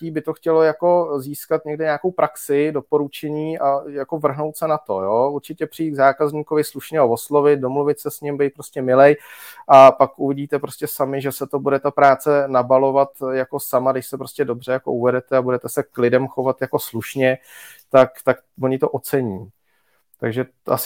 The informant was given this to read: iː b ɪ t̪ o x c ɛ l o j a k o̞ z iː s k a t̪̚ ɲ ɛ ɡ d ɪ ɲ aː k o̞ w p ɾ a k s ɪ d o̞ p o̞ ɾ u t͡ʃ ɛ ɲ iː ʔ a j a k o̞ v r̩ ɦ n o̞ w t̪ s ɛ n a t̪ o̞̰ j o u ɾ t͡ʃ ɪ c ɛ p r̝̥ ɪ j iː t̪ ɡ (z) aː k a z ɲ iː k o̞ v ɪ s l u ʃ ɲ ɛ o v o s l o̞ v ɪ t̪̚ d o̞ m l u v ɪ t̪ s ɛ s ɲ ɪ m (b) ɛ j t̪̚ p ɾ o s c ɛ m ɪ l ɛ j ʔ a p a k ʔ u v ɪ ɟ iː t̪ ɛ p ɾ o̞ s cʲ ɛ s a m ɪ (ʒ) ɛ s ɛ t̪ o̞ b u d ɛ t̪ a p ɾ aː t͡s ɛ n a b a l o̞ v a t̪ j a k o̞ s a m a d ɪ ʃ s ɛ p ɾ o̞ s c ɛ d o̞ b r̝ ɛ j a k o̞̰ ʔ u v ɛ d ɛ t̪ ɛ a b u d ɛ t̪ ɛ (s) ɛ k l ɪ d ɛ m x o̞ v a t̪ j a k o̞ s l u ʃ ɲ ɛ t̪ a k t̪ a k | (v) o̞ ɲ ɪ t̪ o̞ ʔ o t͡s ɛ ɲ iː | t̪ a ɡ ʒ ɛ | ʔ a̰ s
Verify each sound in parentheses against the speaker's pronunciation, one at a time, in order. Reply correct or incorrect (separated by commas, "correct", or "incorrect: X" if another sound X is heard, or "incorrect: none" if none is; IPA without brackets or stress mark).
correct, correct, correct, correct, correct